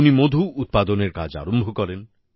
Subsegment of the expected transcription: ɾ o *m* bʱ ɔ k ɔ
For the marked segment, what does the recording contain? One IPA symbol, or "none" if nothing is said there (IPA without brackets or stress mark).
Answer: m